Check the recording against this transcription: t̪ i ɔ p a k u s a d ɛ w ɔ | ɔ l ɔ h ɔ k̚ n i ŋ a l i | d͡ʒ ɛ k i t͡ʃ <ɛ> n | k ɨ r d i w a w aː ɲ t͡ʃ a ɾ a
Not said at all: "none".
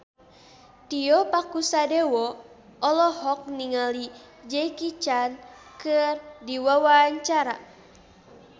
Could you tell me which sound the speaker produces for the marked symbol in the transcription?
a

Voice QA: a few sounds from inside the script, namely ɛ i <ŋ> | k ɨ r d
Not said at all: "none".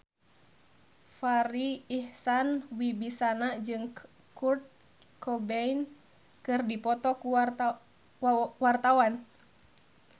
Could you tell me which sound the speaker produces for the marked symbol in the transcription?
n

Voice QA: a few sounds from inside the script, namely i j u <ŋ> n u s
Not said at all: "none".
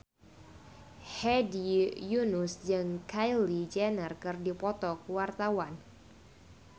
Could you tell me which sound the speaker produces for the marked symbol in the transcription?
none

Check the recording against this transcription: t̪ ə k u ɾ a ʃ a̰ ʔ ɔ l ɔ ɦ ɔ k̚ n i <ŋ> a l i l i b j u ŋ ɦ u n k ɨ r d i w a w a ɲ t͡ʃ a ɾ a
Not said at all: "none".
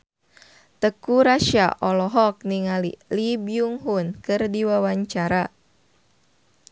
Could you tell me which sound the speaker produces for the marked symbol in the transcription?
ŋ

